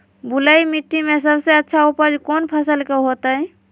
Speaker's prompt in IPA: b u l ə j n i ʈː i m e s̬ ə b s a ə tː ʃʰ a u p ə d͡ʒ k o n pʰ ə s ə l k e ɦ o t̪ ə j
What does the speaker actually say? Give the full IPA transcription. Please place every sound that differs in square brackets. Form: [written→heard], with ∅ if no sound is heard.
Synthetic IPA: b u l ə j [n→m] i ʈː i m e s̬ ə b s [a→e] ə tː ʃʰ a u p ə d͡ʒ k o n pʰ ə s ə l k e ɦ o t̪ ə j

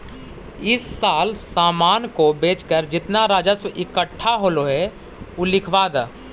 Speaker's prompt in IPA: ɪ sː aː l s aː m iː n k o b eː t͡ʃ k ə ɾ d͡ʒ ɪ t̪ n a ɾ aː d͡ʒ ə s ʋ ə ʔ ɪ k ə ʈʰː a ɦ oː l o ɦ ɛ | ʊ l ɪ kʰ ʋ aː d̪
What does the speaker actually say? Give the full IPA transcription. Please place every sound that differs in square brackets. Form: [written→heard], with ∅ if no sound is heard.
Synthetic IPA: ɪ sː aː l s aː m [iː→aː] n k o b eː t͡ʃ k ə ɾ d͡ʒ ɪ t̪ n a ɾ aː d͡ʒ ə s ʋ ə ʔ ɪ k ə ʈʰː a ɦ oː l o ɦ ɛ | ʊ l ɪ kʰ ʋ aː d̪

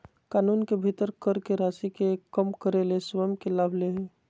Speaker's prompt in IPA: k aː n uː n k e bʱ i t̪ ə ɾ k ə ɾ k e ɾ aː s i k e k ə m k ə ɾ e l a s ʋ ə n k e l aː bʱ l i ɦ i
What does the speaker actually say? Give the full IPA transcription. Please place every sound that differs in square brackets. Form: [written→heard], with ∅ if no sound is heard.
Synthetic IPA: k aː n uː n k e bʱ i t̪ ə ɾ k ə ɾ k e ɾ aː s i k e k ə m k ə ɾ e l [a→e] s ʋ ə [n→m] k e l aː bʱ l [i→e] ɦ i

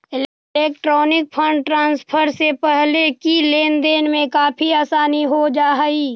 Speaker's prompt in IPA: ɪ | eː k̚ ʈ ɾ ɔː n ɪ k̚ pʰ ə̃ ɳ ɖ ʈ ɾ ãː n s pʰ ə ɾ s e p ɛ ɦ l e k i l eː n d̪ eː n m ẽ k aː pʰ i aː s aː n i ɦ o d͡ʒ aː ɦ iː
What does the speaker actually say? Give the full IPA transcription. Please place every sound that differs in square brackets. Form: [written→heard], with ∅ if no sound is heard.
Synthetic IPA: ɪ | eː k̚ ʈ ɾ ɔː n ɪ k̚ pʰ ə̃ ɳ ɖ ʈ ɾ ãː n s pʰ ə ɾ s e p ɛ ɦ l e k i l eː n d̪ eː n m ẽ k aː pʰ i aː s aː n i ɦ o d͡ʒ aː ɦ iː

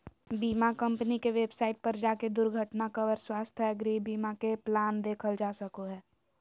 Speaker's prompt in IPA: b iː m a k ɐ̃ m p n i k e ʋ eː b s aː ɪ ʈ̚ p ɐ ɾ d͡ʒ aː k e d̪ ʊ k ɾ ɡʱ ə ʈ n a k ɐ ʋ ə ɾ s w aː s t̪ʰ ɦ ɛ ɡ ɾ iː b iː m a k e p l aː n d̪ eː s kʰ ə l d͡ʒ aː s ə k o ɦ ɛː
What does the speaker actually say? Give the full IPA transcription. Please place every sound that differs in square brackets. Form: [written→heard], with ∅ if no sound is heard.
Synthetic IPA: b iː m a k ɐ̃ m p n i k e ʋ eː b s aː ɪ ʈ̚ p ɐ ɾ d͡ʒ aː k e d̪ ʊ [k→∅] ɾ ɡʱ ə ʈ n a k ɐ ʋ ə ɾ s w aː s t̪ʰ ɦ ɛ ɡ ɾ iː b iː m a k e p l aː n d̪ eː [s→∅] kʰ ə l d͡ʒ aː s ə k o ɦ ɛː

